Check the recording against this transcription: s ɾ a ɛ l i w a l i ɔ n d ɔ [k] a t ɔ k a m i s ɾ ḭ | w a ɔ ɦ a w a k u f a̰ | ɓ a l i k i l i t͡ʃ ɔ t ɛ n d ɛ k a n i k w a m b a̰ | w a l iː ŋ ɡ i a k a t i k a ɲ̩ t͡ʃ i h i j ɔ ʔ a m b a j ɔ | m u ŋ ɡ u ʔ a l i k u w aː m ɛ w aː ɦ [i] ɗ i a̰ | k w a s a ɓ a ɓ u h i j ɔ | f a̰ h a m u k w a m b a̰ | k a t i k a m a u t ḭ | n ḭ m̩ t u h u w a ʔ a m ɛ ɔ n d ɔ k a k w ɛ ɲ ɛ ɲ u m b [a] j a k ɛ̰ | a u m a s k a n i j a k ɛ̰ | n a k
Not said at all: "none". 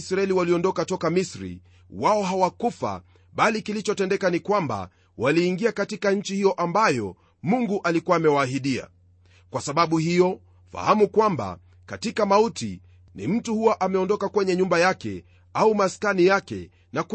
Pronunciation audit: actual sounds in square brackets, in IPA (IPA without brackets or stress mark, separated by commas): k, i, a